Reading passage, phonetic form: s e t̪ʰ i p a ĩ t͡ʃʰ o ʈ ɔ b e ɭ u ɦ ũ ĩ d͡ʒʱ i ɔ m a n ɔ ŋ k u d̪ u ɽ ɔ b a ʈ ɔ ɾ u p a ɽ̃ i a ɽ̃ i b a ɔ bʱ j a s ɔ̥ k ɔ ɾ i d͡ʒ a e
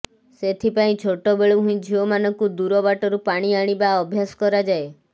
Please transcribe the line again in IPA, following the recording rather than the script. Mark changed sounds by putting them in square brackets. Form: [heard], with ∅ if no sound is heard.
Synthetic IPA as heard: s e t̪ʰ i p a ĩ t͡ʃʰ o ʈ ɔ b e ɭ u ɦ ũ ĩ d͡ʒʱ i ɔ m a n ɔ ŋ k u d̪ u [ɾ] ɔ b a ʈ ɔ ɾ u p a ɽ̃ i a ɽ̃ i b a ɔ bʱ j a s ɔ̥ k ɔ ɾ [a] d͡ʒ a e